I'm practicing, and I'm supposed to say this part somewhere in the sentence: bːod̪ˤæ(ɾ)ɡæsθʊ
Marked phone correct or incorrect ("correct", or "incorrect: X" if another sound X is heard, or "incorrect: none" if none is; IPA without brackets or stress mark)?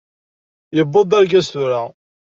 correct